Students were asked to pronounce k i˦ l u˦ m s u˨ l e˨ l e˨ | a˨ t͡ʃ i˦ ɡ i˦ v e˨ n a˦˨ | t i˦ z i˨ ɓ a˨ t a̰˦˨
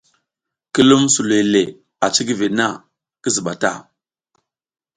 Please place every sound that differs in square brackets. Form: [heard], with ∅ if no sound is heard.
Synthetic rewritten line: k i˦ l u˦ m s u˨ l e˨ l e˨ | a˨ t͡ʃ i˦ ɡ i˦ v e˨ n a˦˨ | [k] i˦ z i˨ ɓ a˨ t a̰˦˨